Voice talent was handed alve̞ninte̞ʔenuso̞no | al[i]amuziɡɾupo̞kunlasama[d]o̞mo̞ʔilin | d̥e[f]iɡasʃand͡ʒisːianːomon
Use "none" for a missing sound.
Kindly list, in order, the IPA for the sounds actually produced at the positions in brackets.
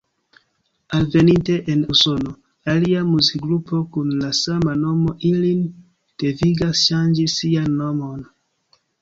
i, n, v

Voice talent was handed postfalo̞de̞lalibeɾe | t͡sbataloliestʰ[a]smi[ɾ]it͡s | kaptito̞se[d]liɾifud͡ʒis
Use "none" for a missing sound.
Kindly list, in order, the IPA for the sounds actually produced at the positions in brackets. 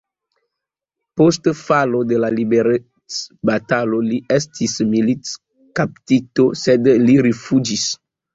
i, l, d

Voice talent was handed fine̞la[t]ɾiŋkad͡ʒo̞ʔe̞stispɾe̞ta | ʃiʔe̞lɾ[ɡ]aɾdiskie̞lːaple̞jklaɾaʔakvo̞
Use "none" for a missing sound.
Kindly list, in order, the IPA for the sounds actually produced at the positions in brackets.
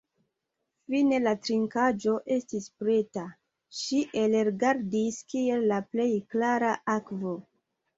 t, ɡ

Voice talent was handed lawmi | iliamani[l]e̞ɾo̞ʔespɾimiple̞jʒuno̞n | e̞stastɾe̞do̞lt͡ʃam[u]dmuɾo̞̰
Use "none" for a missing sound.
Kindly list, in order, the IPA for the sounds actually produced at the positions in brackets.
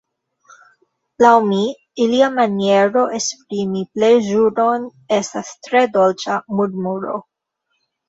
none, u

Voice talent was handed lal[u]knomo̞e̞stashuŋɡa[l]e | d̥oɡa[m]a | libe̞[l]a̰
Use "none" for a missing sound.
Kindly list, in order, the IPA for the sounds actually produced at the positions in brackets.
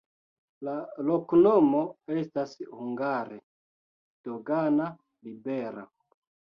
o, ɾ, n, ɾ

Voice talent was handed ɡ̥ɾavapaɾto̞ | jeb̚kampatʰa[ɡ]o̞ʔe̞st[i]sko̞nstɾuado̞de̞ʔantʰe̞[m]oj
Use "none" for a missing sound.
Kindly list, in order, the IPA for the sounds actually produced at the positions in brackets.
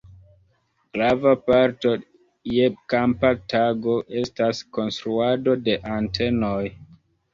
ɡ, a, n

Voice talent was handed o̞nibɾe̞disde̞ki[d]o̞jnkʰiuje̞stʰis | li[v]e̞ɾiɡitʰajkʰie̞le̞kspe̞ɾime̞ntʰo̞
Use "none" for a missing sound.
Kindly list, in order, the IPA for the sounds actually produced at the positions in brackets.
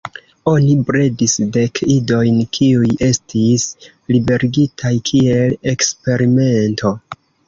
d, b

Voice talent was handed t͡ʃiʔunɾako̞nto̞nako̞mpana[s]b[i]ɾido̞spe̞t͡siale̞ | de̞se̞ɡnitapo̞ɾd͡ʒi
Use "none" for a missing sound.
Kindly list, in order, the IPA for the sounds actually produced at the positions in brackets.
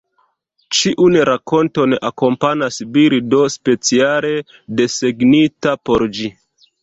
s, i

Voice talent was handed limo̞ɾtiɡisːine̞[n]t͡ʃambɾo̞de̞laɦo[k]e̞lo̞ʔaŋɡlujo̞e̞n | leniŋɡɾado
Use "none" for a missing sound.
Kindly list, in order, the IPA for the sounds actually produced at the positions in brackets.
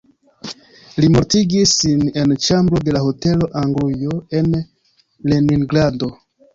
n, t

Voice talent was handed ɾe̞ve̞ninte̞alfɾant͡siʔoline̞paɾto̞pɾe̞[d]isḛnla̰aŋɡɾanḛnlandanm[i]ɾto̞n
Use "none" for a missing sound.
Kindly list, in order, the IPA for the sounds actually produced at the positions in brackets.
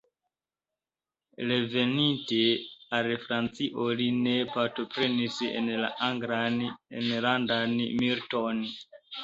n, i

